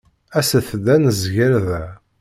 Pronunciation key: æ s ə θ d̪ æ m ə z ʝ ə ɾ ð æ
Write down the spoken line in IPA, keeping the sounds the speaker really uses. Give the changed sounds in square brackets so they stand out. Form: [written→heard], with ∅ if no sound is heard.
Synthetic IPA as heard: æ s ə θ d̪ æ [m→n] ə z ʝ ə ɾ ð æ